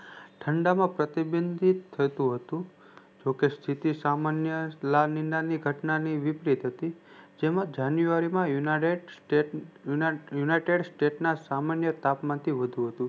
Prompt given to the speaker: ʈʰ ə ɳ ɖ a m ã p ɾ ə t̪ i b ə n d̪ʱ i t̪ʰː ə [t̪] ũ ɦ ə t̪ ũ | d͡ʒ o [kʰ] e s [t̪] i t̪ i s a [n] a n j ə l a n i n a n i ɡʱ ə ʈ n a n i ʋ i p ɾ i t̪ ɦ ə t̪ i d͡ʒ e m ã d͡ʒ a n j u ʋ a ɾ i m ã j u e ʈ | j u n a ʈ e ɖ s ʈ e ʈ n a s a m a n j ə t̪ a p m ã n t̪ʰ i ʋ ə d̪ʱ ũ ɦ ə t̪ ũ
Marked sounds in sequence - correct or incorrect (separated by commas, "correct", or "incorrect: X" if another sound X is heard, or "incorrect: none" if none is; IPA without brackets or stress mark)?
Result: correct, incorrect: k, incorrect: t̪ʰ, incorrect: m